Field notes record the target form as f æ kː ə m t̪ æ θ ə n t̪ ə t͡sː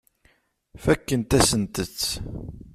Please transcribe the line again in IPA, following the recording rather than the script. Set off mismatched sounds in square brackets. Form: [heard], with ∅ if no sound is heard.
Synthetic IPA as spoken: f æ kː ə [n] t̪ æ [s] ə n t̪ ə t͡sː